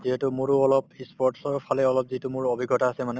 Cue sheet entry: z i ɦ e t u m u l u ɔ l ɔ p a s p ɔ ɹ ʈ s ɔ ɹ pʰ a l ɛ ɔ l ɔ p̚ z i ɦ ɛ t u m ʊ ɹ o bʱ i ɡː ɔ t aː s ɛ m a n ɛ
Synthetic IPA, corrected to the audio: z i ɦ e t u m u ɹ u ɔ l ɔ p i s p ɔ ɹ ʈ s ɔ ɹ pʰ a l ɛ ɔ l ɔ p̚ z i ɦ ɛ t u m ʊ ɹ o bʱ i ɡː ɔ t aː s ɛ m a n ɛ